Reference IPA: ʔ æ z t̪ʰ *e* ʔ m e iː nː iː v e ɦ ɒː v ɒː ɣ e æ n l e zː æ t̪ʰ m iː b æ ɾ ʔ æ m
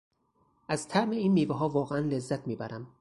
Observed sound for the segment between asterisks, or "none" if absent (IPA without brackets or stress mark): æ